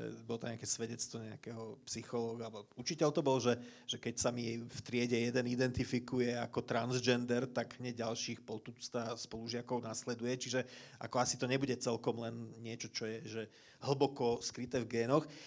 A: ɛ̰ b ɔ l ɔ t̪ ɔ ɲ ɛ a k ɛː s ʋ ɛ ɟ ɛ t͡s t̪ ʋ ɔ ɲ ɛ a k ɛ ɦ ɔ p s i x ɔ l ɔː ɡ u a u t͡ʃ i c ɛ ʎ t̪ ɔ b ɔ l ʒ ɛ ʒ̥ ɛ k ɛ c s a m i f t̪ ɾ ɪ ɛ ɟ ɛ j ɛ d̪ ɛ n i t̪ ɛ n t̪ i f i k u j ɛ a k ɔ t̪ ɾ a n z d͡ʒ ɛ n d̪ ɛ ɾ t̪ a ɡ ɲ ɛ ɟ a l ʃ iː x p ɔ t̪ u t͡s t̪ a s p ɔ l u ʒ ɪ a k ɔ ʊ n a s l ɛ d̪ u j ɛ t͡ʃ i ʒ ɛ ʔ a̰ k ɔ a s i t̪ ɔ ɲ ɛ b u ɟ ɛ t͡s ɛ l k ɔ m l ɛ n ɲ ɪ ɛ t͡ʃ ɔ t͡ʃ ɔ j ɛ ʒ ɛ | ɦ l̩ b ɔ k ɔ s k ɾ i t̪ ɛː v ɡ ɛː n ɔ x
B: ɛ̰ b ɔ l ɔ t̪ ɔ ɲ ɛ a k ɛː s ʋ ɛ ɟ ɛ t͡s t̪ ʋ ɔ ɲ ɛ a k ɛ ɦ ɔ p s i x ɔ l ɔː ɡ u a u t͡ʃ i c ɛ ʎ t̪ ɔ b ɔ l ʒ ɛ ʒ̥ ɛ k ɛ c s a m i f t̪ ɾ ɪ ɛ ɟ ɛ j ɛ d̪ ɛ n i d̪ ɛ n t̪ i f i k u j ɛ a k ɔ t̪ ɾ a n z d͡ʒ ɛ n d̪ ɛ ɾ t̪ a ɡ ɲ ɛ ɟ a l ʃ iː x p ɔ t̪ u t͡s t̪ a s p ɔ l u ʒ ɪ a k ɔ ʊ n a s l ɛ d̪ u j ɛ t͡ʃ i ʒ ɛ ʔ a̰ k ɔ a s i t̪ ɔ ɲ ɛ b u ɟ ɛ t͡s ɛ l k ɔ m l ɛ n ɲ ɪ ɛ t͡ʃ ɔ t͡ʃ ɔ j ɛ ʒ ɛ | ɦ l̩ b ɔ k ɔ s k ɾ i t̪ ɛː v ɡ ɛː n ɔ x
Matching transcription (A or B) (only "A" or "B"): B